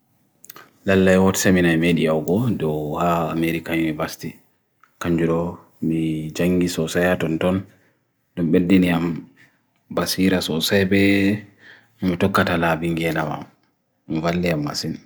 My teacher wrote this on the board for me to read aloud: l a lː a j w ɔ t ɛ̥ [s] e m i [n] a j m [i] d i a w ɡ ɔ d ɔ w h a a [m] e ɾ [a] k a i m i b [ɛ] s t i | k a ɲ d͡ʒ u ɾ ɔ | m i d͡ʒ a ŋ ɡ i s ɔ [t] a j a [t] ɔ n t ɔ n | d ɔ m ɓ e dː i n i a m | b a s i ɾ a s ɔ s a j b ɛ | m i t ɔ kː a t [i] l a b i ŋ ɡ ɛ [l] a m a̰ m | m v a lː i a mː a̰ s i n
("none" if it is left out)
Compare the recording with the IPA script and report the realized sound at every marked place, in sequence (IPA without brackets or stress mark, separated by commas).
s, n, e, m, i, a, s, t, a, l